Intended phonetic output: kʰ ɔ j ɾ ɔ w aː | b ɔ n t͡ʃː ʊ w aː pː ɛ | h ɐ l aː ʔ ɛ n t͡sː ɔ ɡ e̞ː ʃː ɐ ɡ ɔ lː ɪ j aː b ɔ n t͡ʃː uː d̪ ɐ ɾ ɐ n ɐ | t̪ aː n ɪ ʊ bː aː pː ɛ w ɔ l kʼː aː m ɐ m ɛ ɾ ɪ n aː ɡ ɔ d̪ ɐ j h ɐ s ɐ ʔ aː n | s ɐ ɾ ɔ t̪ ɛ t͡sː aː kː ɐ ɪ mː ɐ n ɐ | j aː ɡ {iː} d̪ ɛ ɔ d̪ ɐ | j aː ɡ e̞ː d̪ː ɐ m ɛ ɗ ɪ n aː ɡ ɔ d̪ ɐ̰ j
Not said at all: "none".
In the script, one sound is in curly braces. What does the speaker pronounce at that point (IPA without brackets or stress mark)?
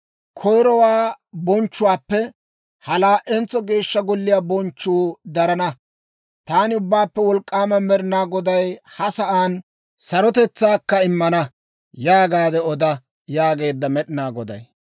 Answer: aː